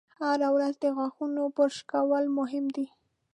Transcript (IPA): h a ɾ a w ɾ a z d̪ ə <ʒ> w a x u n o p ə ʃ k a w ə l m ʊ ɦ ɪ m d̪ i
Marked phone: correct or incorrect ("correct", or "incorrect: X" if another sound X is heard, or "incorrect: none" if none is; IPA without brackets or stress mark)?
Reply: incorrect: ɣ